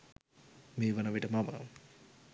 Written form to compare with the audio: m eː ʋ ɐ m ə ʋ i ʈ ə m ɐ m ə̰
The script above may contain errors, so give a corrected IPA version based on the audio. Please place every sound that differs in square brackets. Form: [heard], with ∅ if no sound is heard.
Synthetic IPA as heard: m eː ʋ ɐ [n] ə ʋ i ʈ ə m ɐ m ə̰